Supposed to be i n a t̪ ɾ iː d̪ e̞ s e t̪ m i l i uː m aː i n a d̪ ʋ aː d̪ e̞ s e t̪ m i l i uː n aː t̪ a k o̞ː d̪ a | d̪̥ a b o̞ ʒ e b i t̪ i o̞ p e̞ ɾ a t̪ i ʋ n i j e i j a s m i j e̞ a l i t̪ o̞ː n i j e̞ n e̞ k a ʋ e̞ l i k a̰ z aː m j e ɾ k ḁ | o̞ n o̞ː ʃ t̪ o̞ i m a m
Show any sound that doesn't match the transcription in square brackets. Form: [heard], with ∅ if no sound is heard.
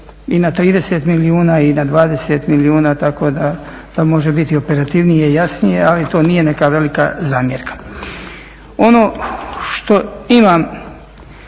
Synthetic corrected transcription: i n a t̪ ɾ iː d̪ e̞ s e t̪ m i l i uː [n] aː i n a d̪ ʋ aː d̪ e̞ s e t̪ m i l i uː n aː t̪ a k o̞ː d̪ a | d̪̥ a [m] o̞ ʒ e b i t̪ i o̞ p e̞ ɾ a t̪ i ʋ n i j e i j a s [n] i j e̞ a l i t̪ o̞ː n i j e̞ n e̞ k a ʋ e̞ l i k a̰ z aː m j e ɾ k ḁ | o̞ n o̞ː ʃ t̪ o̞ i m a m